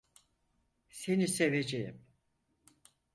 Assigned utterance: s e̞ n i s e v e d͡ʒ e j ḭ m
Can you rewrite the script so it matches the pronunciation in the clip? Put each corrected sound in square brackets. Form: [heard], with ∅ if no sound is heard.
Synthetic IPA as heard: s e̞ n i s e v e d͡ʒ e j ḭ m